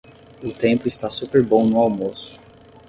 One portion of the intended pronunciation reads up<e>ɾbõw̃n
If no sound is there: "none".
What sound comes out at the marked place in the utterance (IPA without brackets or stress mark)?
e